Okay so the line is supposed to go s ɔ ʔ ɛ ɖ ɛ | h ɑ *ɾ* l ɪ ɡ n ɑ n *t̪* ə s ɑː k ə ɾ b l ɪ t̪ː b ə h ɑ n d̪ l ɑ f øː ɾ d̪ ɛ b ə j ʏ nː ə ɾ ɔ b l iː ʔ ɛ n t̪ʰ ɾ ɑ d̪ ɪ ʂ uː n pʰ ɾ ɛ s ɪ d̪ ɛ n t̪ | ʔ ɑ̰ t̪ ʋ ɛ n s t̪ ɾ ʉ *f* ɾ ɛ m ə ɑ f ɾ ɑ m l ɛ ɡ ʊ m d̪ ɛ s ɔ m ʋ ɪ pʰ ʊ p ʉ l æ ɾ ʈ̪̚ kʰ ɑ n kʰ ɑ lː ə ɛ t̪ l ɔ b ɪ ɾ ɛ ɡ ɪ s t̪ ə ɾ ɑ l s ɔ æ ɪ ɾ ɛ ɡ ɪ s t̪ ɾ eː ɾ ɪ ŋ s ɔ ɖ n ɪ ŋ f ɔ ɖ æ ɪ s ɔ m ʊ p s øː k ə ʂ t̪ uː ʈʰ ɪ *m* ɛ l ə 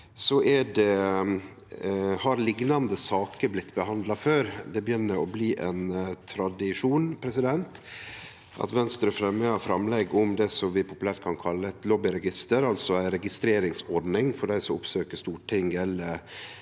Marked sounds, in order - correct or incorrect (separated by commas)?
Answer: correct, incorrect, correct, incorrect